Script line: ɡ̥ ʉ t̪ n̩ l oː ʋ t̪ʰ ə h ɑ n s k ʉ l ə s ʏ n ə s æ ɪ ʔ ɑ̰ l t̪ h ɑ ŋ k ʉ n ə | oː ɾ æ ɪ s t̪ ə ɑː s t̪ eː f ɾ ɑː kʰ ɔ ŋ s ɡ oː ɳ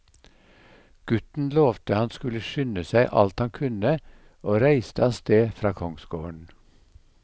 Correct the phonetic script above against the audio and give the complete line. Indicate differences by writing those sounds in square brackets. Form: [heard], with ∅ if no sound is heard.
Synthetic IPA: ɡ̥ ʉ t̪ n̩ l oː ʋ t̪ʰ ə h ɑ n s k ʉ l ə [ʃ] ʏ n ə s æ ɪ ʔ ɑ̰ l t̪ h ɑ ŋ [kʰ] ʉ n ə | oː ɾ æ ɪ s t̪ ə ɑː s t̪ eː f ɾ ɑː kʰ ɔ ŋ s ɡ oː ɳ